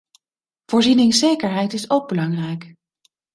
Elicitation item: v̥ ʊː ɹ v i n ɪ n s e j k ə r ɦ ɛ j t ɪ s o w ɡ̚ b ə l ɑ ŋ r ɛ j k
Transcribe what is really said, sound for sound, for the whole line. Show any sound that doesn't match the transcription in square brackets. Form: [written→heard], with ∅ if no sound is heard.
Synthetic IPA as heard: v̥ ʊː ɹ [v→z] i n ɪ [n→ŋ] s e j k ə [r→ɹ] ɦ ɛ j t ɪ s o w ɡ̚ b ə l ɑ ŋ r ɛ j k